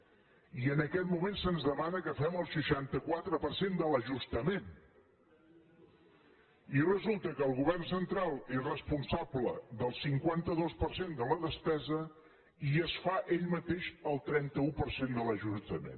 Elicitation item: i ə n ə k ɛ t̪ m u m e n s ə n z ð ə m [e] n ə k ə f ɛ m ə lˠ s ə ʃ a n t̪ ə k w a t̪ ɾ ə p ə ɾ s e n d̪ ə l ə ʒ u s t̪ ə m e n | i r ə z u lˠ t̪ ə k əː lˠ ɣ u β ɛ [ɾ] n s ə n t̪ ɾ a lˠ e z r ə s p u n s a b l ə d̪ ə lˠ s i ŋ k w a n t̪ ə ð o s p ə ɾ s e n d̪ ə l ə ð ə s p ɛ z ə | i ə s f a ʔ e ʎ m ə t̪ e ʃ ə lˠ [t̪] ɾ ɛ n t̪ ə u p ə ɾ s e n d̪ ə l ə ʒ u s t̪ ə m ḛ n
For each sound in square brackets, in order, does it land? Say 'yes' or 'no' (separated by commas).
no, no, yes